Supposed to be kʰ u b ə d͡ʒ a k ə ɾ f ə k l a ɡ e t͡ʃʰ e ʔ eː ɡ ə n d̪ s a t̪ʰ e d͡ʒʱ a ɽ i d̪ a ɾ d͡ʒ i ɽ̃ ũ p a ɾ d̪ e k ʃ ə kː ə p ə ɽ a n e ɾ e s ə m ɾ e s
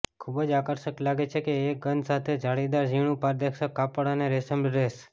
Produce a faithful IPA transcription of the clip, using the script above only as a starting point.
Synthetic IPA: kʰ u b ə d͡ʒ a k ə ɾ ʃ ə k l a ɡ e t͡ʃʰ e k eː ɡ ə n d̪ s a t̪ʰ e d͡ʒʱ a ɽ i d̪ a ɾ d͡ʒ i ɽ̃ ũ p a ɾ d̪ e k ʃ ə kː a p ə ɽ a n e ɾ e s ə m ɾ e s